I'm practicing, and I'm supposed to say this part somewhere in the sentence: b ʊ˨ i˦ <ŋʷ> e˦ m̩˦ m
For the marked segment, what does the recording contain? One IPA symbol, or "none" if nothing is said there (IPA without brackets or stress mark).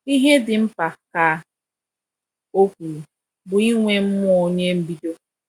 ŋʷ